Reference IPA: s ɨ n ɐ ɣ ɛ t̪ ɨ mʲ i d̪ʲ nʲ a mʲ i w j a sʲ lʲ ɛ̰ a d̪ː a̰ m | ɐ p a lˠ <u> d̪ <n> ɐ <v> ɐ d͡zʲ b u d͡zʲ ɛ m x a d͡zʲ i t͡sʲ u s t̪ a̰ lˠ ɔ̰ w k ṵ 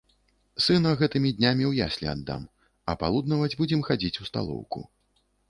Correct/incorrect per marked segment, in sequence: correct, correct, correct

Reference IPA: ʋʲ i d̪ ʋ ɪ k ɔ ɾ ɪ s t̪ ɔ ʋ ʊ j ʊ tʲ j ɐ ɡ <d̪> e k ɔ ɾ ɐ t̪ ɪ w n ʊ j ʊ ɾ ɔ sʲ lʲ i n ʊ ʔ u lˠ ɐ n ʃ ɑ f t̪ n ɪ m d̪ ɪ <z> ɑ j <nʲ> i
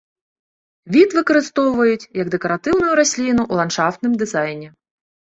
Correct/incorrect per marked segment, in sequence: correct, correct, correct

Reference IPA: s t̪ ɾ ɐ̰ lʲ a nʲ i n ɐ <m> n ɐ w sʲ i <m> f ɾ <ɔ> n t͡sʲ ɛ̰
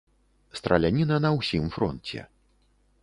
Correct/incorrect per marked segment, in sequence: incorrect: none, correct, correct

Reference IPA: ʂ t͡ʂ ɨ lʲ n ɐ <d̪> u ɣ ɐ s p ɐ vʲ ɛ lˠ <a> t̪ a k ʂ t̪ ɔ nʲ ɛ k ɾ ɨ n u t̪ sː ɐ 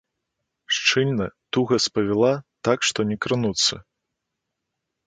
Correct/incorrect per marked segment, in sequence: incorrect: t̪, correct

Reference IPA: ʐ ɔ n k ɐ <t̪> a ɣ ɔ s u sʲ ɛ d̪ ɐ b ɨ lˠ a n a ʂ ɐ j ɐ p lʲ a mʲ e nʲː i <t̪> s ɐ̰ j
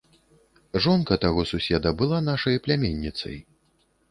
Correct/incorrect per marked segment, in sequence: correct, correct

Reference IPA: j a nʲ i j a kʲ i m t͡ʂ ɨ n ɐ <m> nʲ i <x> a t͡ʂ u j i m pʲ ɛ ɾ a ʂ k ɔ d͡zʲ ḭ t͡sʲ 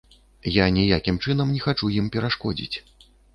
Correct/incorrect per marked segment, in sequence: correct, correct

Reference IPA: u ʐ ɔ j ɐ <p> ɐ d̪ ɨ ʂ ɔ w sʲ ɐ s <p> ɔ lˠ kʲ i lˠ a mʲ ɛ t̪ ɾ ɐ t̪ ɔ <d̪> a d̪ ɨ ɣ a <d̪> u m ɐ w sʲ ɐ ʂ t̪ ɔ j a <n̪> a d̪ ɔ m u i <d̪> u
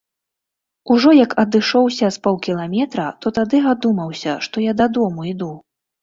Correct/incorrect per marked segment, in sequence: incorrect: k, correct, incorrect: t̪, correct, incorrect: d̪, correct

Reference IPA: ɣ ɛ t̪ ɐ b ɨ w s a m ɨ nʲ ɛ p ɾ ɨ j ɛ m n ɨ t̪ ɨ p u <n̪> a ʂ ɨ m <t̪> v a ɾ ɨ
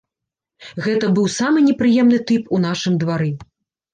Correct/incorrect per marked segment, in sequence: correct, incorrect: d̪

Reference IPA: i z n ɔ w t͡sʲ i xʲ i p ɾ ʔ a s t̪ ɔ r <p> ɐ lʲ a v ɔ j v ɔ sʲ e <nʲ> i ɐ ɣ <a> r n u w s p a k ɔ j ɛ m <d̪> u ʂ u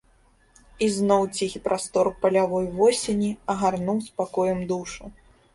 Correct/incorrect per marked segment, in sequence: correct, correct, correct, correct

